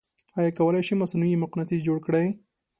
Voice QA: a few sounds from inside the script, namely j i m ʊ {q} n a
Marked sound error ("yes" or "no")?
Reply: no